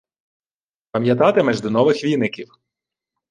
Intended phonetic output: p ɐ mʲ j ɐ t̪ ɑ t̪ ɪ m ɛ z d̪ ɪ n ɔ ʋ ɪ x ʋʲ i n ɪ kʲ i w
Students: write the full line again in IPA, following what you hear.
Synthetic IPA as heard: p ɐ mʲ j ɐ t̪ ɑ t̪ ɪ m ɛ ʒ d̪ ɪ n ɔ ʋ ɪ x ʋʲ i n ɪ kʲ i w